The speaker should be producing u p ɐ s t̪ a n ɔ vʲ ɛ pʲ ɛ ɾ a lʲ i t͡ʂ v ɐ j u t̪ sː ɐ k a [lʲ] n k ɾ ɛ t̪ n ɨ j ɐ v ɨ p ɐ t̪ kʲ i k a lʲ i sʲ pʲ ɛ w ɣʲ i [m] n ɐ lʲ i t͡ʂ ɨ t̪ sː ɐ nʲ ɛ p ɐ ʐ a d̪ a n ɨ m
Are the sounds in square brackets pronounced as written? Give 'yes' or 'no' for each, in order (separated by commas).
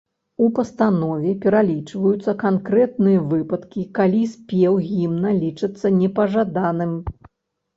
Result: no, yes